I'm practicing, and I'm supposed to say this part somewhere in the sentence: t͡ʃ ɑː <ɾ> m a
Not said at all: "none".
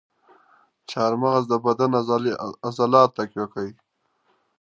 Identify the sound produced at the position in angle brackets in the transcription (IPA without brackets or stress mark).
ɾ